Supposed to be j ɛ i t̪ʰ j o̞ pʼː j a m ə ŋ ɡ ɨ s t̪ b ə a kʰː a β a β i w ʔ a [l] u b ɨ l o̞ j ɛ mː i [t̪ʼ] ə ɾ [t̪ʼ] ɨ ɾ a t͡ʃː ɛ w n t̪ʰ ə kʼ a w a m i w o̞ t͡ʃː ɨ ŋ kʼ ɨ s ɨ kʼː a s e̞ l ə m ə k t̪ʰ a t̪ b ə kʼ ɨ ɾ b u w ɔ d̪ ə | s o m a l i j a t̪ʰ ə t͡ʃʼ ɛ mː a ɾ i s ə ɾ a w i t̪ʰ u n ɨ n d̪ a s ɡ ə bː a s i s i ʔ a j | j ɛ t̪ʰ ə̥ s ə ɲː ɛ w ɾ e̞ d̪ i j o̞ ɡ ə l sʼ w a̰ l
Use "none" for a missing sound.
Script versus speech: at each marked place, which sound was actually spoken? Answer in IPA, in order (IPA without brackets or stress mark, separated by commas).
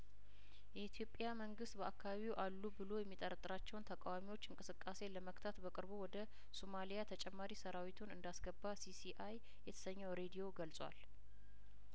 lː, t̪ʼ, t̪ʼ